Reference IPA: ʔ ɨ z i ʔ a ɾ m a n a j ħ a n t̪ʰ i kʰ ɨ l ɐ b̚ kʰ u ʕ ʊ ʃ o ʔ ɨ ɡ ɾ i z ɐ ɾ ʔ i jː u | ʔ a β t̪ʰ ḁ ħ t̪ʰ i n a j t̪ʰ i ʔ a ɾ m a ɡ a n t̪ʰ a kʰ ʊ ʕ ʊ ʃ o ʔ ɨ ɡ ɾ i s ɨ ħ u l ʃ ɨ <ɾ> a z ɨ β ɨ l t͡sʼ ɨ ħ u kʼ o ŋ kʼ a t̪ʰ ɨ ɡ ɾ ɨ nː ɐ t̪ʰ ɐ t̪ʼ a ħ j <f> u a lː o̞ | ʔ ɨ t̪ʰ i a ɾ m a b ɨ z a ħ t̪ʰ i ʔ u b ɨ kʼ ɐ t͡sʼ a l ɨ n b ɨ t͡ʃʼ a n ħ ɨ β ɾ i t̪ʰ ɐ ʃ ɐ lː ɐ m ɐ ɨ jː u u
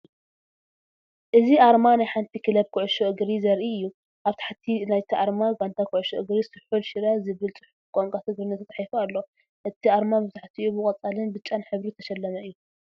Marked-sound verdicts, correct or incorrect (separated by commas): correct, correct